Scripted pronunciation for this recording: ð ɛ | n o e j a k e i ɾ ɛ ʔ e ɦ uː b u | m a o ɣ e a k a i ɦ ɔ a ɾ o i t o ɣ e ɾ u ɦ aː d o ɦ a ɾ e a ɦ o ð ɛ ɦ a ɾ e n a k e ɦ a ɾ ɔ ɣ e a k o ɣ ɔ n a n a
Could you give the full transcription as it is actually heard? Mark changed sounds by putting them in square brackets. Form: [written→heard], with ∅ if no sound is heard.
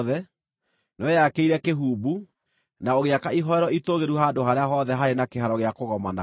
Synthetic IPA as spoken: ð ɛ | n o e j a k e i ɾ ɛ [ʔ→k] e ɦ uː b u | [m→n] a o ɣ e a k a i ɦ ɔ [a→ɛ] ɾ [o→ɔ] i t o ɣ e ɾ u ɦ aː d o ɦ a ɾ e a ɦ [o→ɔ] ð ɛ ɦ a ɾ e n a k e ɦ a ɾ ɔ ɣ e a k o ɣ ɔ [n→m] a n a